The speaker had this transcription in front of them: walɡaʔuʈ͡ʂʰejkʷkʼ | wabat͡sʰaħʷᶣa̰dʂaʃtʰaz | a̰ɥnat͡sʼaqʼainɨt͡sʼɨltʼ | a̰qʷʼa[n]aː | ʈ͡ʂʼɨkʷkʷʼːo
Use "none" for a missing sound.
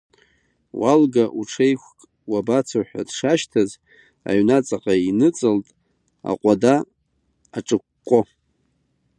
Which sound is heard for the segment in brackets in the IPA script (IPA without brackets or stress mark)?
d